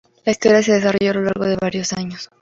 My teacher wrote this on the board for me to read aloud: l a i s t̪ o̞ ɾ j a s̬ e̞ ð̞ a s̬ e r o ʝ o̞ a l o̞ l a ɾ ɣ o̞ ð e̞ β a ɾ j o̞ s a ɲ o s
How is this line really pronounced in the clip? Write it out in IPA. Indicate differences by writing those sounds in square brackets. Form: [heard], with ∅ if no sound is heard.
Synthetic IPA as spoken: l a i s t̪ o̞ ɾ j a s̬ e̞ ð̞ [e] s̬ [a] r o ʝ o̞ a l o̞ l a ɾ ɣ o̞ ð e̞ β a ɾ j o̞ s a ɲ o s